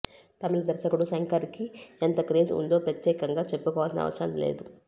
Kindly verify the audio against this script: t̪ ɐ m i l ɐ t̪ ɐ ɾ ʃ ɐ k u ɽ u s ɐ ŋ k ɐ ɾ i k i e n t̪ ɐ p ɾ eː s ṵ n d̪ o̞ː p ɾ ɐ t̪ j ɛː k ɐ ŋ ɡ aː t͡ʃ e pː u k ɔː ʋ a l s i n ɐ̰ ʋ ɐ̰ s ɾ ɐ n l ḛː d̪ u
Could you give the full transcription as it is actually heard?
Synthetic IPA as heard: t̪ ɐ m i l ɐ d̪ ɐ ɾ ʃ ɐ k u ɽ u s ɐ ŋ k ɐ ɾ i k i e n t̪ ɐ k ɾ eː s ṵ n d̪ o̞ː p ɾ ɐ t̪ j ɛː k ɐ ŋ ɡ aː t͡ʃ e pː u k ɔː ʋ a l s i n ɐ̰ ʋ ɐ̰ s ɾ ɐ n l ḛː d̪ u